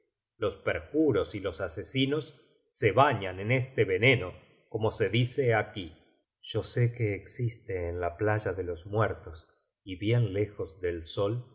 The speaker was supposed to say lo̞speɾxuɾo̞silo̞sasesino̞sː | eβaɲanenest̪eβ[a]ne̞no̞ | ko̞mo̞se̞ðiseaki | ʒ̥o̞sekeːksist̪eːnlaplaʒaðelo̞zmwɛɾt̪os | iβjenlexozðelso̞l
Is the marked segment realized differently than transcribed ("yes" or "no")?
yes